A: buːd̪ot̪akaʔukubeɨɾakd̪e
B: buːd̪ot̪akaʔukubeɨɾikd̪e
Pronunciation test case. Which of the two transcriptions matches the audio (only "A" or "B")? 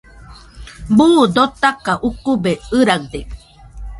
A